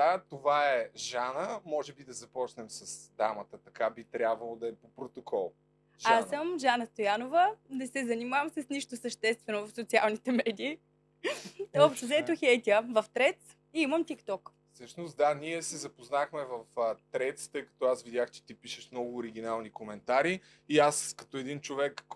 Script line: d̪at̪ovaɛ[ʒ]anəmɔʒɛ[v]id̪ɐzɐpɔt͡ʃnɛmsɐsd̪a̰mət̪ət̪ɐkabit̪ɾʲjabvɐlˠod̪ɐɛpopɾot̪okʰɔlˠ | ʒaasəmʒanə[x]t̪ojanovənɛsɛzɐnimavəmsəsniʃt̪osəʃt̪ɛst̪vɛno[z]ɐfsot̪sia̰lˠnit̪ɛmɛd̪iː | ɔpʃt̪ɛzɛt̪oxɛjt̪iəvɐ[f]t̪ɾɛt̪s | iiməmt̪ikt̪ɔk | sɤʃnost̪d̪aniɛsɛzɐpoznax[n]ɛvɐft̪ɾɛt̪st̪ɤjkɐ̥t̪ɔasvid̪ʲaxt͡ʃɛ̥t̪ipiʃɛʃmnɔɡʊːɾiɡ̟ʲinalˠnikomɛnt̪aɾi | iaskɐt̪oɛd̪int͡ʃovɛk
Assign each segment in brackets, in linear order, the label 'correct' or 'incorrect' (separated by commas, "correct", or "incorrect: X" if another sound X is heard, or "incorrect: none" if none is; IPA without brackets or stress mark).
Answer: correct, incorrect: b, incorrect: s, incorrect: v, correct, incorrect: m